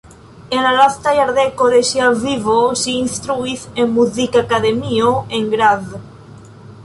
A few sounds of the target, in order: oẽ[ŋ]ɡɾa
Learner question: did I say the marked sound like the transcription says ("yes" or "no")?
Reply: yes